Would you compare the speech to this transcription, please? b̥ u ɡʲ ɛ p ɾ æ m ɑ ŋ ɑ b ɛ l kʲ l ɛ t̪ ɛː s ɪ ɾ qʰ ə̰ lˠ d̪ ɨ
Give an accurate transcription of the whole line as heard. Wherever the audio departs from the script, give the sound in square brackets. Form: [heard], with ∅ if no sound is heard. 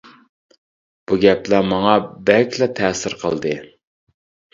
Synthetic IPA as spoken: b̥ u ɡʲ ɛ p [l] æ m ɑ ŋ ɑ b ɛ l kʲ l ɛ [t̪ʰ] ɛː s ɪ ɾ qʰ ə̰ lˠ d̪ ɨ